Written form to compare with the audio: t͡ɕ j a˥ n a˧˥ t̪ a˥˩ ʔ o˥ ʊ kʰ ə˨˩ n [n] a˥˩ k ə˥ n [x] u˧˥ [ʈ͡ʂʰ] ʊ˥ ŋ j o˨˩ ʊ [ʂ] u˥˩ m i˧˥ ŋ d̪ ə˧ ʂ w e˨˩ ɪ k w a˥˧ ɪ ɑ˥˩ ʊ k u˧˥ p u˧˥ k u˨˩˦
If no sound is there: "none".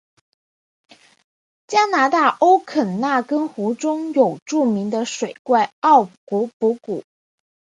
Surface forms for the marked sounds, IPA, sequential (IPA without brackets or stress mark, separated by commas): n, x, ʈ͡ʂ, ʈ͡ʂ